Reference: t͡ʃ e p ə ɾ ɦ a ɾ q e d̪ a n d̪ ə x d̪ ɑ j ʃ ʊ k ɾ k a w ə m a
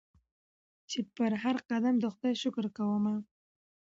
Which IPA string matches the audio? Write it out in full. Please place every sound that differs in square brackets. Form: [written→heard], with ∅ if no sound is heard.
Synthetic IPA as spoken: t͡ʃ e p ə ɾ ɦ a ɾ q [e→a] d̪ a [n→m] d̪ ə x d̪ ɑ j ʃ ʊ k ɾ k a w ə m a